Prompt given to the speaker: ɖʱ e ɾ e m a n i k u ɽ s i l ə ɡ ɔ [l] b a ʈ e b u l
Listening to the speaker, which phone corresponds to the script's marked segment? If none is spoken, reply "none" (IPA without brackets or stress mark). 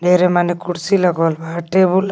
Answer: l